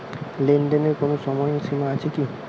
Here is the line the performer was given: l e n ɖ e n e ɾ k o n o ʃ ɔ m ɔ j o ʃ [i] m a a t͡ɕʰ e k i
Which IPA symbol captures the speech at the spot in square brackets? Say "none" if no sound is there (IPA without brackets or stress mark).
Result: i